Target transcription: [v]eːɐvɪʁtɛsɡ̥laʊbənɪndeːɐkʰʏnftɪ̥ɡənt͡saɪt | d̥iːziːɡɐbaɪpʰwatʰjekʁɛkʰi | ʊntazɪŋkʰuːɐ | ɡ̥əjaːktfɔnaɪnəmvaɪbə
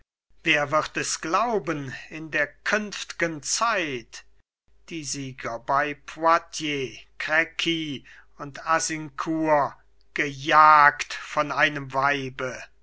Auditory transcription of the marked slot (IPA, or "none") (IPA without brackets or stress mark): v